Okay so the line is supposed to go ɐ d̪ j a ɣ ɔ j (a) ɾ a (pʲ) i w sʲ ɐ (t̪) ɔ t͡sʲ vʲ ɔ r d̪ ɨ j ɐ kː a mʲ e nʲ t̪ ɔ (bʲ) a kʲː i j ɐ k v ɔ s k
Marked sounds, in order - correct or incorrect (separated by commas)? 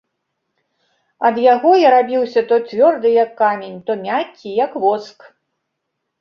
correct, incorrect, correct, incorrect